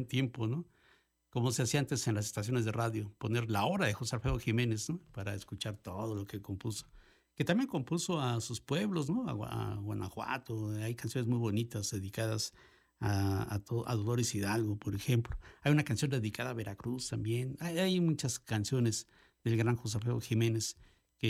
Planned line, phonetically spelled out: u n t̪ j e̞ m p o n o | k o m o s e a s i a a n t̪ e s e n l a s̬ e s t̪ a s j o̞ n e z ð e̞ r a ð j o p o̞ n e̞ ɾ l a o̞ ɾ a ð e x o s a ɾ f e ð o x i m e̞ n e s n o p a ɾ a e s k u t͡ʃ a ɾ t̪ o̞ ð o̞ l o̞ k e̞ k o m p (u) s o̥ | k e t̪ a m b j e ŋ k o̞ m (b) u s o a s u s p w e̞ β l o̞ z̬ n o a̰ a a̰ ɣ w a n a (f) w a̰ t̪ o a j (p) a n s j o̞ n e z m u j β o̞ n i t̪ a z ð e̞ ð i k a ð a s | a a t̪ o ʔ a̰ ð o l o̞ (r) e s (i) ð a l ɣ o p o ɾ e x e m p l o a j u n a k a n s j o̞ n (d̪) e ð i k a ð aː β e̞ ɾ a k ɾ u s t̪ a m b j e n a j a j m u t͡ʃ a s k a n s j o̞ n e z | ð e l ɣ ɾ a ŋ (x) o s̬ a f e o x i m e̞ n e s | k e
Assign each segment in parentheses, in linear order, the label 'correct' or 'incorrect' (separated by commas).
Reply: correct, incorrect, incorrect, incorrect, incorrect, correct, correct, correct